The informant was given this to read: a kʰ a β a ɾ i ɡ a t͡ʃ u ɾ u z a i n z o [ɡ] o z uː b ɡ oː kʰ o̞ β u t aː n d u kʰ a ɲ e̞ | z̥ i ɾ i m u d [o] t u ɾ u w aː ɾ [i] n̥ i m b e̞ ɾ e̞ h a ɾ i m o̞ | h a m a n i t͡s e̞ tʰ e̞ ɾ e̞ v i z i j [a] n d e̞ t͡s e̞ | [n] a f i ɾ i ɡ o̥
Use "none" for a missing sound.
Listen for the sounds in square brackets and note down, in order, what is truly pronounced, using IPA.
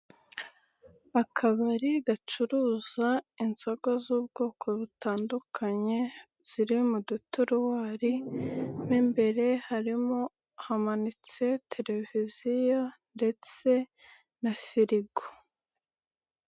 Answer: ɡ, u, i, a, n

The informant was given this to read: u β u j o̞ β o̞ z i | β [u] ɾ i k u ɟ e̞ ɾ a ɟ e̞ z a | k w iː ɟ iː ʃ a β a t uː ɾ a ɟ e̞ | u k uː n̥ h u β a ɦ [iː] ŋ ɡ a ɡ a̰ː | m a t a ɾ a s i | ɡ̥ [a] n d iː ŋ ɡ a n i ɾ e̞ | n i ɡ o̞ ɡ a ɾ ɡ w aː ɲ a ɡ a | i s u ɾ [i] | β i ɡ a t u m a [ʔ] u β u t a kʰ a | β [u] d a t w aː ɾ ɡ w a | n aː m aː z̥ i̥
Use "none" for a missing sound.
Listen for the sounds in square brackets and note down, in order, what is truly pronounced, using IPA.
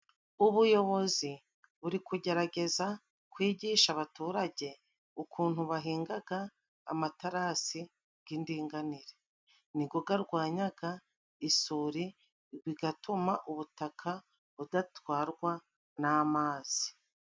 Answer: u, iː, i, i, ʔ, u

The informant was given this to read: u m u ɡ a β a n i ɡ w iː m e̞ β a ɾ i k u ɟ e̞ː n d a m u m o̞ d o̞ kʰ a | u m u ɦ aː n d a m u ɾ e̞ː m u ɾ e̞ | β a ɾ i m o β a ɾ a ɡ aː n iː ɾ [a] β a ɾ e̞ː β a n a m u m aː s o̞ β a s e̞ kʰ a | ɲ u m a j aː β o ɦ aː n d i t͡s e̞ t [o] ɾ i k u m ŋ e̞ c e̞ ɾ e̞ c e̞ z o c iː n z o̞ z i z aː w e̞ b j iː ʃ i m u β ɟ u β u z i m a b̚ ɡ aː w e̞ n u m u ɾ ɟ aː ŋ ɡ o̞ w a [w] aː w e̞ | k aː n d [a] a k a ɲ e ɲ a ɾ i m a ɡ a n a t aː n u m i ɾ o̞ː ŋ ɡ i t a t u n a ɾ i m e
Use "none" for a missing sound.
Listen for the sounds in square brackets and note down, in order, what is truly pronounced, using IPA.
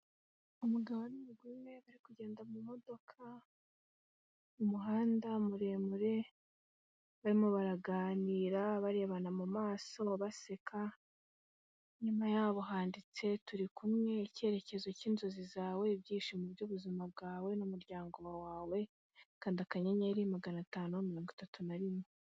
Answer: a, u, w, i

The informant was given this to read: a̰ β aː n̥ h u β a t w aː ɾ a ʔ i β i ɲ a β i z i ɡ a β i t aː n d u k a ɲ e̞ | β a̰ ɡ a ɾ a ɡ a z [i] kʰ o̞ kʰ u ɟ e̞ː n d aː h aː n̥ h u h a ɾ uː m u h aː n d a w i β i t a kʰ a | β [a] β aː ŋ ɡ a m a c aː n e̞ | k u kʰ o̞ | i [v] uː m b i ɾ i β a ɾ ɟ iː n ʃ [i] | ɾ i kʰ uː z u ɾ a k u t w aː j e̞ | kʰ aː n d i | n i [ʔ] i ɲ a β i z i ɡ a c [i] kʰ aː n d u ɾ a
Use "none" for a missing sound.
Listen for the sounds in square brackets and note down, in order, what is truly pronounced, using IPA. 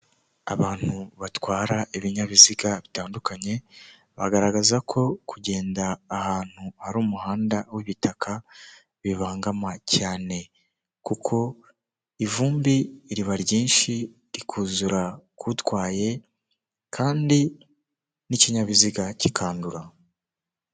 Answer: a, i, v, i, c, i

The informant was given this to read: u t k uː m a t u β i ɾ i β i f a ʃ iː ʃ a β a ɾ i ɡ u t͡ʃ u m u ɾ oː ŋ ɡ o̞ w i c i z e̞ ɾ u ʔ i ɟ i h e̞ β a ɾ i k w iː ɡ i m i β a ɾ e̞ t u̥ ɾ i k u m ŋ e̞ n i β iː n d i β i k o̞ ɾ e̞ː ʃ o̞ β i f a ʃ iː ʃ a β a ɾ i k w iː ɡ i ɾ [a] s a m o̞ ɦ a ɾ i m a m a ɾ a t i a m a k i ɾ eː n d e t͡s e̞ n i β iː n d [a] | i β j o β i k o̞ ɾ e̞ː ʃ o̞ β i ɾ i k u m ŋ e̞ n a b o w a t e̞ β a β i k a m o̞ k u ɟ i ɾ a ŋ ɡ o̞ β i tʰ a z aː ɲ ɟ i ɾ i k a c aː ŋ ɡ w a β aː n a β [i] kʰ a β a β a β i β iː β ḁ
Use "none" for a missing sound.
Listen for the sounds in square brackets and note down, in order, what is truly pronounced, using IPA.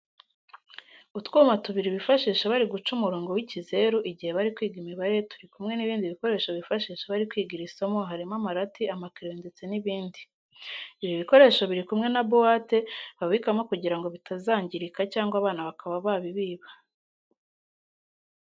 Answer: i, i, a

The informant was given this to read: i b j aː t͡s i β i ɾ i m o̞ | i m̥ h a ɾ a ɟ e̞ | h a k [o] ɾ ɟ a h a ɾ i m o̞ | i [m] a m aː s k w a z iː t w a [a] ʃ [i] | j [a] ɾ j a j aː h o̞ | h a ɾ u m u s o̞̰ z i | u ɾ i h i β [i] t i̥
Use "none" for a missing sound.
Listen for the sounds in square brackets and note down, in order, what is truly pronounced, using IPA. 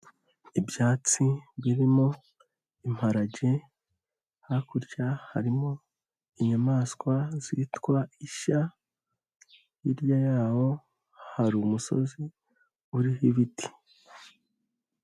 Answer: u, ɲ, i, a, i, i

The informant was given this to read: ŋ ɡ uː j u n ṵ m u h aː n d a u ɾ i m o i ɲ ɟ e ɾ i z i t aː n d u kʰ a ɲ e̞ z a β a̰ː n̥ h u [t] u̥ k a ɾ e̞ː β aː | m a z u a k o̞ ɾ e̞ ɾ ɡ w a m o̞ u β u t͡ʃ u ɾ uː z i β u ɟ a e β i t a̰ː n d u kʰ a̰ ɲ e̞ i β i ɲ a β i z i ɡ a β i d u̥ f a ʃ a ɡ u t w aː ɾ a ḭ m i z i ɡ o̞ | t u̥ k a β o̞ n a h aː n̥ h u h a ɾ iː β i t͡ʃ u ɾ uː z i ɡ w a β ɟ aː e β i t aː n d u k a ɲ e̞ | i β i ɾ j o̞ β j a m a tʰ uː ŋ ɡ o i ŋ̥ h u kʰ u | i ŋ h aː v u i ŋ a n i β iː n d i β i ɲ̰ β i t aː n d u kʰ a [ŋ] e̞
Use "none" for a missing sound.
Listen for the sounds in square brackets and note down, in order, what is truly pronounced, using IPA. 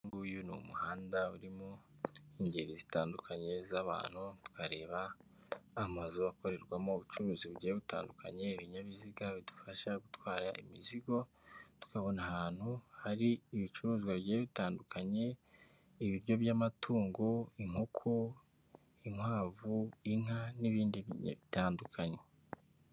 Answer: t, ɲ

